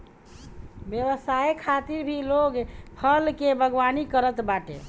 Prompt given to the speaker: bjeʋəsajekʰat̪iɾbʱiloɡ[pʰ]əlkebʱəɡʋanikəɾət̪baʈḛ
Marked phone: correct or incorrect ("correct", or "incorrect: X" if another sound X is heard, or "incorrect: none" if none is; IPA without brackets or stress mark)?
correct